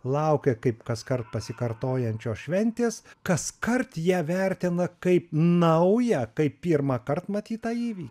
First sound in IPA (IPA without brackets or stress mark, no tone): lˠ